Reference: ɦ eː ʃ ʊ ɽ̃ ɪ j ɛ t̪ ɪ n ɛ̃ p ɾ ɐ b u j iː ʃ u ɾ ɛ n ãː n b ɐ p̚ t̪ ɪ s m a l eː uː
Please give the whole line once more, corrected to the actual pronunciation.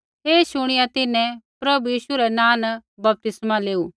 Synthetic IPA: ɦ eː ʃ ʊ ɽ̃ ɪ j a t̪ ɪ n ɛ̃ p ɾ ɐ b u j iː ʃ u ɾ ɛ n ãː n b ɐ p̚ t̪ ɪ s m a l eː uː